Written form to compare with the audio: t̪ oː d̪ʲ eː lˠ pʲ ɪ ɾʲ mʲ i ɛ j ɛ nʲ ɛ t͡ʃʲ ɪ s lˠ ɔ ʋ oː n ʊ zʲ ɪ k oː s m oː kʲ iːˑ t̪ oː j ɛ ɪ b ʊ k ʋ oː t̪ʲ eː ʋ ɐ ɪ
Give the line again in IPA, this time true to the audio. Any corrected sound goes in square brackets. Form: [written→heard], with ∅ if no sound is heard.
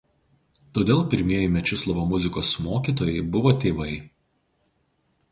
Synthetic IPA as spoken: t̪ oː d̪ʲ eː lˠ pʲ ɪ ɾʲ mʲ i ɛ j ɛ [nʲ→mʲ] ɛ t͡ʃʲ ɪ s lˠ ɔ ʋ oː [n→m] ʊ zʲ ɪ k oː s m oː kʲ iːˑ t̪ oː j ɛ ɪ b ʊ [k→∅] ʋ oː t̪ʲ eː ʋ ɐ ɪ